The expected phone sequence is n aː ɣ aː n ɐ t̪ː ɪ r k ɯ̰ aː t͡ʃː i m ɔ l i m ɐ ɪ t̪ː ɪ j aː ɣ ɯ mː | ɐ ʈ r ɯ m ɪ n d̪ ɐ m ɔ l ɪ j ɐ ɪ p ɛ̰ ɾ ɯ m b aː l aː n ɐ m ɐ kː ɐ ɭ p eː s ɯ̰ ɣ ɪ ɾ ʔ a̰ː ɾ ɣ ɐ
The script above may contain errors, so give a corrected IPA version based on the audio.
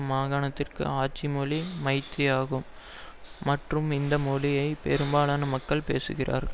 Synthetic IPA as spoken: m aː ɣ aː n ɐ t̪ː ɪ r k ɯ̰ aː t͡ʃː i m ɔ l i m ɐ ɪ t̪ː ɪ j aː ɣ ɯ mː | ɐ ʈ r ɯ m ɪ n d̪ ɐ m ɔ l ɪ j ɐ ɪ p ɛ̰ ɾ ɯ m b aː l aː n ɐ m ɐ kː ɐ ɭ p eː s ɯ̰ ɣ ɪ r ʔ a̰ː ɾ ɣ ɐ